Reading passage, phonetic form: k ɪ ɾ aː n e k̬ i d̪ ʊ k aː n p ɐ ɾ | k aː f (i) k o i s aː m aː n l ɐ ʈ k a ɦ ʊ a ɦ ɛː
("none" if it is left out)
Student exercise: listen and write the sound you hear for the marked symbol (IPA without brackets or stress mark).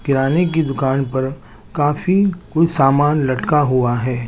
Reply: i